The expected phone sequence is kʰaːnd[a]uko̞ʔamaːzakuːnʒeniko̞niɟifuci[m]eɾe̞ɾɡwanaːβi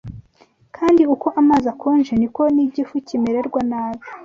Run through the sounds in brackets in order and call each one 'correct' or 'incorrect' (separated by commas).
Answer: incorrect, correct